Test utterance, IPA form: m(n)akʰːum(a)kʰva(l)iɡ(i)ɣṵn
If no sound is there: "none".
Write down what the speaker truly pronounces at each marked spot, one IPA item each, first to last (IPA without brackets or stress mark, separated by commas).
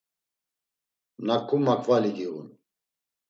n, a, l, i